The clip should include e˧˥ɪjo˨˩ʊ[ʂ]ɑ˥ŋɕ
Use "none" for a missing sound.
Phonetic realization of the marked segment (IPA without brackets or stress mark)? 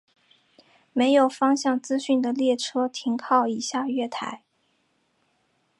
f